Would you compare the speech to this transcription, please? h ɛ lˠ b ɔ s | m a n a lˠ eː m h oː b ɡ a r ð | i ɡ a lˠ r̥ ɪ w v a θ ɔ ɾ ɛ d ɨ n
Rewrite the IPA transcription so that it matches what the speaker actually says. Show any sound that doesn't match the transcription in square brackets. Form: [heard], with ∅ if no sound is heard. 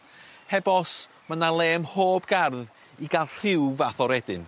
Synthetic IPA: h ɛ [∅] b ɔ s | m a n a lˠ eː m h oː b ɡ a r ð | i ɡ a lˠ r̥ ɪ w v a θ ɔ ɾ ɛ d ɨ n

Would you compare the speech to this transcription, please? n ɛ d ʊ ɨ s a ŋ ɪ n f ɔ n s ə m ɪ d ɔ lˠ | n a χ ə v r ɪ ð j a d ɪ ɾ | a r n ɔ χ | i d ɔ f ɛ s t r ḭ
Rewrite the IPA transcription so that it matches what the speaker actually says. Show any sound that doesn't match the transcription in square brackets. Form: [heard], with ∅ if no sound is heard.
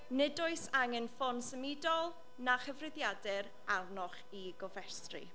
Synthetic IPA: n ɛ d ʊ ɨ s a ŋ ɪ n f ɔ n s ə m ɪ d ɔ lˠ | n a χ ə v r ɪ ð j a d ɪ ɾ | a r n ɔ χ | i [ɡ] ɔ [v] ɛ s t r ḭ

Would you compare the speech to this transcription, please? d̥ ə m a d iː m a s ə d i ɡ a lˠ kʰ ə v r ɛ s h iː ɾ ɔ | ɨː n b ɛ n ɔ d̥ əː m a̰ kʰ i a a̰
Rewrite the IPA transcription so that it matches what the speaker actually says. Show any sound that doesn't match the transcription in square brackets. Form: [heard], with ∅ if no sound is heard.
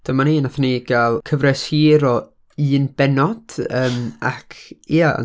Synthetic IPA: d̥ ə m a [n] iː [n] a [θ] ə [n] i ɡ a lˠ kʰ ə v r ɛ s h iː ɾ ɔ | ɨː n b ɛ n ɔ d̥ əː m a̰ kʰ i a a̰

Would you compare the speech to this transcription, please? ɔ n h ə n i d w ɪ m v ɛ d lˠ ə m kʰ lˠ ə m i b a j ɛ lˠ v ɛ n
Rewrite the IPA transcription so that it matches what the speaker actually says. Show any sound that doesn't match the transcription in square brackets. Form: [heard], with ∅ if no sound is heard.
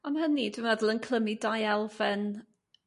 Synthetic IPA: ɔ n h ə n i d w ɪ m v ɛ d lˠ ə [n] kʰ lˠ ə m i [d] a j ɛ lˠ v ɛ n

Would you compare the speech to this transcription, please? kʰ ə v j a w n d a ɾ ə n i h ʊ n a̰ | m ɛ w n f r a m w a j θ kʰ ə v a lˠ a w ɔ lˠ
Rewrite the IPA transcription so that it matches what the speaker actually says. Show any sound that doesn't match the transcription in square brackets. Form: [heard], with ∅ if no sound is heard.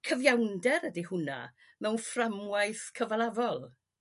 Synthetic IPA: kʰ ə v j a w n d [ɛ] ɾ ə [d] i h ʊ n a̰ | m ɛ w n f r a m w a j θ kʰ ə v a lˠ a [v] ɔ lˠ

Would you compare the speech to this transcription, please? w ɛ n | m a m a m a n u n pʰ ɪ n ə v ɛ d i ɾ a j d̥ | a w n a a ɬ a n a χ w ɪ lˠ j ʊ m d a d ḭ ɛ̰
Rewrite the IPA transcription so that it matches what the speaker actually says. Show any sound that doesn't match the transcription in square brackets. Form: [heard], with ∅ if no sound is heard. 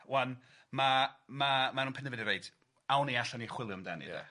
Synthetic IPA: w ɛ n | m a m a m a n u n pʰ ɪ n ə v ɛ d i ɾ [e] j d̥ | a w n [i] a ɬ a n [i] χ w ɪ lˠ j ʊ m d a [n] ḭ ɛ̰

